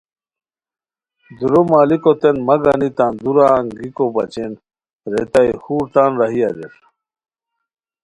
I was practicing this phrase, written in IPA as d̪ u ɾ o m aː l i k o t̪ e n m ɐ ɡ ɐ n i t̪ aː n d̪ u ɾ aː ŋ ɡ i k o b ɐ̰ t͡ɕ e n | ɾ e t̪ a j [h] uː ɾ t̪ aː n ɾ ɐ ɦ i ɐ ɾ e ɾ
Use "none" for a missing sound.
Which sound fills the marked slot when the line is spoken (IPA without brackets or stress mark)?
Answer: h